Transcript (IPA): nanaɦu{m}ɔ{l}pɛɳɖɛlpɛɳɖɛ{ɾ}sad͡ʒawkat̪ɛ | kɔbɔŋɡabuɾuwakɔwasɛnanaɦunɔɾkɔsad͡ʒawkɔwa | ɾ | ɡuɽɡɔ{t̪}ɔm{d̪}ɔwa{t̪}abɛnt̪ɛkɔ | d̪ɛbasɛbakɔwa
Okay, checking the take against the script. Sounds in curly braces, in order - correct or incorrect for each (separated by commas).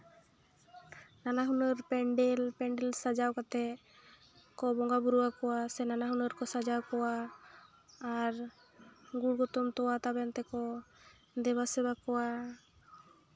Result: incorrect, incorrect, incorrect, correct, incorrect, correct